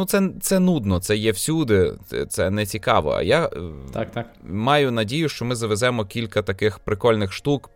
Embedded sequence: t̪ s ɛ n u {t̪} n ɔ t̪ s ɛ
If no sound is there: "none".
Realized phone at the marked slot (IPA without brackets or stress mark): d̪